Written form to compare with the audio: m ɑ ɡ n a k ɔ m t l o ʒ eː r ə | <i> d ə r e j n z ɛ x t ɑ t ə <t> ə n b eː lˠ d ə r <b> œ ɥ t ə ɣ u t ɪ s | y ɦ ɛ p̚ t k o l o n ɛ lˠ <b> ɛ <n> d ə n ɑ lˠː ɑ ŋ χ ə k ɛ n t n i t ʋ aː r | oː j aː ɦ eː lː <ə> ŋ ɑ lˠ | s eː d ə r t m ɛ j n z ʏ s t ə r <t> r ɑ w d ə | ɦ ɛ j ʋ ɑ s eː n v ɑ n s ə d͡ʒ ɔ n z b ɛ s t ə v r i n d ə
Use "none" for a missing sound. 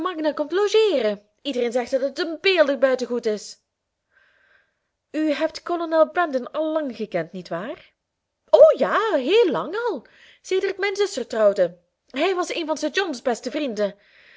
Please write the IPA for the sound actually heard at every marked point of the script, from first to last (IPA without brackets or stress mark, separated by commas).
i, t, b, b, n, ɑ, t